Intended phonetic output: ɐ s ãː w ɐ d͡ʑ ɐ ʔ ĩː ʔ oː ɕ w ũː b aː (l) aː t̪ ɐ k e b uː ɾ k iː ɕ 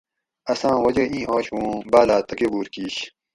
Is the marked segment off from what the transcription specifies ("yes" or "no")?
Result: no